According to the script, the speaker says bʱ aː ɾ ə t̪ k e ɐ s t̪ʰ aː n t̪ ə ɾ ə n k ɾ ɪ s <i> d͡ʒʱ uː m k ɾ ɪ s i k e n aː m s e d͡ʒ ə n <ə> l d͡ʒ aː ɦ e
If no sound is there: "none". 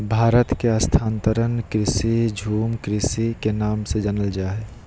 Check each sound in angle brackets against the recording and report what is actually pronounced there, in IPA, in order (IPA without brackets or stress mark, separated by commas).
i, ə